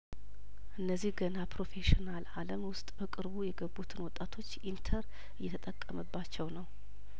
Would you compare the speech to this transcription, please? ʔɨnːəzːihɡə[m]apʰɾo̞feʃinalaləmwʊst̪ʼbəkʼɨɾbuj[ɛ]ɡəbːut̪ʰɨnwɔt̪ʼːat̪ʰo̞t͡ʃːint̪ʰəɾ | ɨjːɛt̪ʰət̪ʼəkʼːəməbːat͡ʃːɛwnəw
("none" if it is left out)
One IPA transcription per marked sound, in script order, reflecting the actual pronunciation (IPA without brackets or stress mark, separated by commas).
n, ɛ